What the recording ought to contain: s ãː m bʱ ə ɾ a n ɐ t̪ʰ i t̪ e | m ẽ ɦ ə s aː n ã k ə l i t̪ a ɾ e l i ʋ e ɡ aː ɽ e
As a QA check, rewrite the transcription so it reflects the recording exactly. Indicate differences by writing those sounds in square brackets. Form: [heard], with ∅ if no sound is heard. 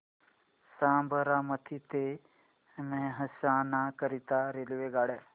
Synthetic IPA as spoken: s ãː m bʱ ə ɾ a [m] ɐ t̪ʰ i t̪ e | m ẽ ɦ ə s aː n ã k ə [ɾ] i t̪ a ɾ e l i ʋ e ɡ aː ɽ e